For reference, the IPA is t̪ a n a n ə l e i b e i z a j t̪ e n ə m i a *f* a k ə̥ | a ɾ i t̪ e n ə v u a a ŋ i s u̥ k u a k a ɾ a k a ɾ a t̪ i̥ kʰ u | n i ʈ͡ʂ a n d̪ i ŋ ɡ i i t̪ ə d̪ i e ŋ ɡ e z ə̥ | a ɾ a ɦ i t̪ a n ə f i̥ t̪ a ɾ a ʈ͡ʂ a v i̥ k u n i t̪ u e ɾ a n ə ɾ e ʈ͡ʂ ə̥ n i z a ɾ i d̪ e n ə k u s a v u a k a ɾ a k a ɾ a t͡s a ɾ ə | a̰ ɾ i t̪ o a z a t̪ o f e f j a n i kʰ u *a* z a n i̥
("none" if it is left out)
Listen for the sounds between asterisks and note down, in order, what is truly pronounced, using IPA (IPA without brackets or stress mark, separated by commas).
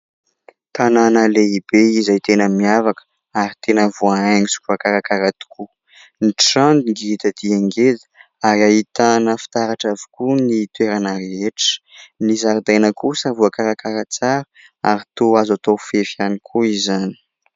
v, i